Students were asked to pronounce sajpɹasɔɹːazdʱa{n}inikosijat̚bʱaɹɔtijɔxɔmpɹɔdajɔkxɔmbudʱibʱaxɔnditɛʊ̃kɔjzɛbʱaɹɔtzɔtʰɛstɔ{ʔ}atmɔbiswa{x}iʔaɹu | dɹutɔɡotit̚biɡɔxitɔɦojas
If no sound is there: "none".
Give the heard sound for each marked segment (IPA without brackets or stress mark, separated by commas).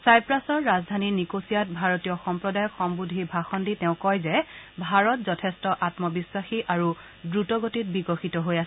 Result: n, ʔ, x